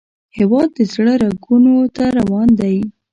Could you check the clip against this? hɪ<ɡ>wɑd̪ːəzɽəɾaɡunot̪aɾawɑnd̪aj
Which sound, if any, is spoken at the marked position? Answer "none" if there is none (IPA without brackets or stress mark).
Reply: none